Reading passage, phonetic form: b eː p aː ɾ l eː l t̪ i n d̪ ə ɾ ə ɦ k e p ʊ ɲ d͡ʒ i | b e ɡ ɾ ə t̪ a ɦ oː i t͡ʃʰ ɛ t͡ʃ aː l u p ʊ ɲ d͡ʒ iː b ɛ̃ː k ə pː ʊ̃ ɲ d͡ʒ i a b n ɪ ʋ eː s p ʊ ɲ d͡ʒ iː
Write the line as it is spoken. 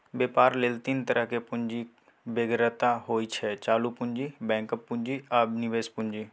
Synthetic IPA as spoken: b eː p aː ɾ l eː l t̪ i n t̪ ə ɾ ə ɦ k e p ʊ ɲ d͡ʒ i | b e ɡ ɾ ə t̪ a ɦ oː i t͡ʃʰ ɛ t͡ʃ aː l u p ʊ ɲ d͡ʒ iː b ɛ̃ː k ə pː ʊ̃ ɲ d͡ʒ i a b n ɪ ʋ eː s p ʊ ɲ d͡ʒ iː